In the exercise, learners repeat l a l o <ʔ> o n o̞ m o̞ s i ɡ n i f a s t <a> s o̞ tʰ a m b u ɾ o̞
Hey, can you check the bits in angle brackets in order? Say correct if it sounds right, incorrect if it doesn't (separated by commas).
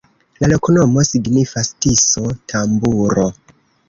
incorrect, incorrect